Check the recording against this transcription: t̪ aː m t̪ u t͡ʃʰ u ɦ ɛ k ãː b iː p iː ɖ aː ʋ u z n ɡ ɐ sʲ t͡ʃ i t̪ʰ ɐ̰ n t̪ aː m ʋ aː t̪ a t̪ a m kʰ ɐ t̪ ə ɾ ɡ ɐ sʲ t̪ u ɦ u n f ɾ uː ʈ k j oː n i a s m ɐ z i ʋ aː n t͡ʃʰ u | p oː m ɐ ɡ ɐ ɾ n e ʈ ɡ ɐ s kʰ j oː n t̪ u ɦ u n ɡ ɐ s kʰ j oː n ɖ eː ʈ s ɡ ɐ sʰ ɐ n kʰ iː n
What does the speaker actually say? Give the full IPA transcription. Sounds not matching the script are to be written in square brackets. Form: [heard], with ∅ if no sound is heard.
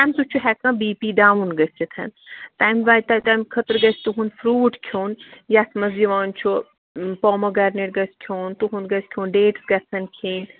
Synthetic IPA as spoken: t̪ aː m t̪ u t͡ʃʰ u ɦ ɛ k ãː b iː p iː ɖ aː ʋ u [∅] n ɡ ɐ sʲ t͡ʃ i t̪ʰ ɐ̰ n t̪ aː m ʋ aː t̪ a t̪ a m kʰ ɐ t̪ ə ɾ ɡ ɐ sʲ t̪ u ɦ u n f ɾ uː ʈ [kʰ] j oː n [j] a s m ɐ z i ʋ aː n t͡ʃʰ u | p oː m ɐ ɡ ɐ ɾ n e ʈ ɡ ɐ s kʰ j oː n t̪ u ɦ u n ɡ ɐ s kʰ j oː n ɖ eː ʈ s ɡ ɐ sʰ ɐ n kʰ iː n